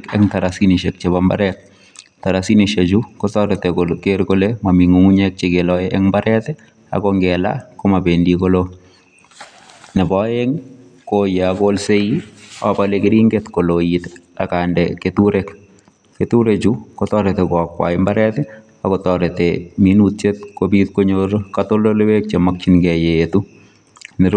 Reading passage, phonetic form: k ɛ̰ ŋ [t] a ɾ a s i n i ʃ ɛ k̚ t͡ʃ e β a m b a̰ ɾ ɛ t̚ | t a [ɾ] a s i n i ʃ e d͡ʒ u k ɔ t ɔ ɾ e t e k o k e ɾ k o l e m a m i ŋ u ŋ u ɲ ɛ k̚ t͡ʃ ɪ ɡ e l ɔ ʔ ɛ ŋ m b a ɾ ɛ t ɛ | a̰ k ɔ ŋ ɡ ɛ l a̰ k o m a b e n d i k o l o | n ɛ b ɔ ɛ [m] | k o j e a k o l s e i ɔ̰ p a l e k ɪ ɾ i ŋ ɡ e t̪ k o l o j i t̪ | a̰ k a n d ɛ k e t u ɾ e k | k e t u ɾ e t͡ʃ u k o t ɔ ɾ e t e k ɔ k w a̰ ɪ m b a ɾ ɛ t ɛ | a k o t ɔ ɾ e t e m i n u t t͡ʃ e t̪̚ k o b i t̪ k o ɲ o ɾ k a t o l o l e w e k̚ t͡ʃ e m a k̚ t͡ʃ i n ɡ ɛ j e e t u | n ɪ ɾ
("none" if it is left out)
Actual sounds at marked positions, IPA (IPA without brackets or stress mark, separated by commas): t, ɾ, ŋ